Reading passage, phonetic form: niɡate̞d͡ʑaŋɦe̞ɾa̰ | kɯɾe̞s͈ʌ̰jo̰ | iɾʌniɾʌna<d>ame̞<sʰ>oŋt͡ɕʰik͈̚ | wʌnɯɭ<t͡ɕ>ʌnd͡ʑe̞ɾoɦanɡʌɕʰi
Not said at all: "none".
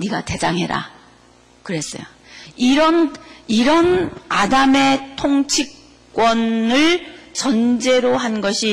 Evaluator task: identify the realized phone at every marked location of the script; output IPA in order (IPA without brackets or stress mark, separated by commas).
d, tʰ, t͡ɕ